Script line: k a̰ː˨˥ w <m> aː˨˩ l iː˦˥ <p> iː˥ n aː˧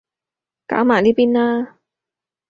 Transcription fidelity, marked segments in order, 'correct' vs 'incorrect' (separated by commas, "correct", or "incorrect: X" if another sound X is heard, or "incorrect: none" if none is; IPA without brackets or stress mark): correct, correct